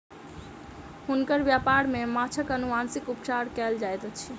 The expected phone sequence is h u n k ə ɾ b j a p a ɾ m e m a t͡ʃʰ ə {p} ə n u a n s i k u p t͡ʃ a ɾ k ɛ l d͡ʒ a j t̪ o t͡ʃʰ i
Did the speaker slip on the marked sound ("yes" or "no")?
yes